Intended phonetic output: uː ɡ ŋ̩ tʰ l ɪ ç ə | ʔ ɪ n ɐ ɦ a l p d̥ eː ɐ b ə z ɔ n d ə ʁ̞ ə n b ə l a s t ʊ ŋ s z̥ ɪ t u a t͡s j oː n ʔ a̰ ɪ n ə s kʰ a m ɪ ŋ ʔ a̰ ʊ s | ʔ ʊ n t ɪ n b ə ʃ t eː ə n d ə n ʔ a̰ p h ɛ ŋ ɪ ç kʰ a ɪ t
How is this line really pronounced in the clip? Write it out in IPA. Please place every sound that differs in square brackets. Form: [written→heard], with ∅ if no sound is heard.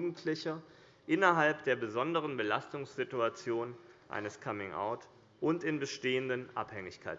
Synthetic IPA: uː ɡ ŋ̩ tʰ l ɪ ç [ə→ɐ] | ʔ ɪ n ɐ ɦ a l p d̥ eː ɐ b ə z ɔ n d ə ʁ̞ ə n b ə l a s t ʊ ŋ s z̥ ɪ t u a t͡s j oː n ʔ a̰ ɪ n ə s kʰ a m ɪ ŋ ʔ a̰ ʊ [s→t] | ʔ ʊ n t ɪ n b ə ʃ t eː ə n d ə n ʔ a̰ p h ɛ ŋ ɪ ç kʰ a ɪ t